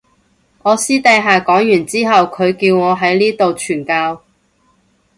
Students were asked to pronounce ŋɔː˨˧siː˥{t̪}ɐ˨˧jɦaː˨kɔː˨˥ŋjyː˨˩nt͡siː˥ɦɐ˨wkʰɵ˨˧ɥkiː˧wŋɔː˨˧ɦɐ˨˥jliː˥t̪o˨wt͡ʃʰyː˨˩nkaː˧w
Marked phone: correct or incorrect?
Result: correct